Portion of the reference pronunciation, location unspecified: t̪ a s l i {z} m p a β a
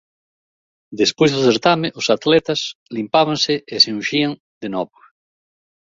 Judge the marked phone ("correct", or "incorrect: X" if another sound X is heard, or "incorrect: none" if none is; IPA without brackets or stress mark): incorrect: none